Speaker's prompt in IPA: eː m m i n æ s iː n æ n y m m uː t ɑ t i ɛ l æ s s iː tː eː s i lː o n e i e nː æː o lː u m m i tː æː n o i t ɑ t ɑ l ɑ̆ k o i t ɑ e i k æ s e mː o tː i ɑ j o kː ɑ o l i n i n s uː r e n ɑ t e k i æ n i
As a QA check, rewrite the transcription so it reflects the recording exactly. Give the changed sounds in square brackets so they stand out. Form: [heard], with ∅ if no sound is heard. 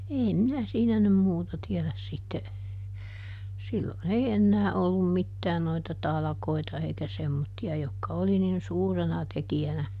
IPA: eː m m i n æ s iː n æ n y m m uː t ɑ t i ɛ l æ s s [i] tː [e] s i lː o n e i e nː æː o lː u m m i tː æː n o i t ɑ t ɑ l ɑ̆ k o i t ɑ e i k æ s e mː o tː i ɑ j o kː ɑ o l i n i n s uː r e n ɑ t e k i æ n [æ]